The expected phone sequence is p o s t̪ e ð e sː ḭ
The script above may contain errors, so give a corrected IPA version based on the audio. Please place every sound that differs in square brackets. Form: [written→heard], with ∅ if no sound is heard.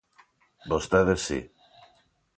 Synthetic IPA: [p→b] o s t̪ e ð e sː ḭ